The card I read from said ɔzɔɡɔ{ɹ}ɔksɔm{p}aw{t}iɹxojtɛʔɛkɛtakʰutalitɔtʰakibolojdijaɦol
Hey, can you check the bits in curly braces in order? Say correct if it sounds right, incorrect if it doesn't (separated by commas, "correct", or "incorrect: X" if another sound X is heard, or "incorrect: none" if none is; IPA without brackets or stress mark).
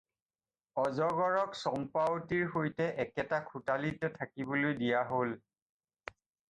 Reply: correct, correct, correct